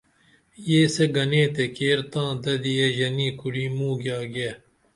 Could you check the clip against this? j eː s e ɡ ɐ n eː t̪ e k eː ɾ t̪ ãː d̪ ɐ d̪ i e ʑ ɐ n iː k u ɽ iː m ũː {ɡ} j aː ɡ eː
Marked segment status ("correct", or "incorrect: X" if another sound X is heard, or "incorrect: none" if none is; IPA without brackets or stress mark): correct